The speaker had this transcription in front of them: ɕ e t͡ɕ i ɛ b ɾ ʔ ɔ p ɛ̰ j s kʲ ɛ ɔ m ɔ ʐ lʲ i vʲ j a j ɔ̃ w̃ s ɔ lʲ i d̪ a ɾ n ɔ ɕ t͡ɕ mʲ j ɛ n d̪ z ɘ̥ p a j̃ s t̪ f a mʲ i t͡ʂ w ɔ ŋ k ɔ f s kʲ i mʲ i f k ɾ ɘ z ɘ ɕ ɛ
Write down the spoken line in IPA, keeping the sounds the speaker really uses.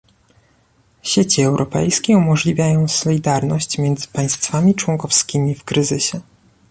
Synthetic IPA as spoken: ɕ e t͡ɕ i ɛ w ɾ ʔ ɔ p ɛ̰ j s kʲ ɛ u m ɔ ʐ lʲ i vʲ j a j ɔ̃ w̃ s ɔ lʲ i d̪ a ɾ n ɔ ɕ t͡ɕ mʲ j ɛ n d̪ z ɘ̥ p a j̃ s t̪ f a mʲ i t͡ʂ w ɔ ŋ k ɔ f s kʲ i mʲ i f k ɾ ɘ z ɘ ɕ ɛ